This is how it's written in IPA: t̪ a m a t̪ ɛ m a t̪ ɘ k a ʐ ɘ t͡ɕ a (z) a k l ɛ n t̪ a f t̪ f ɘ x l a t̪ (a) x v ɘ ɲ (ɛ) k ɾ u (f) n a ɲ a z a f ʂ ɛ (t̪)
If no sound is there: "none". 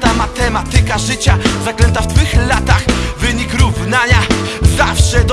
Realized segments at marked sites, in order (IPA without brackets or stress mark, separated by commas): z, a, i, v, d̪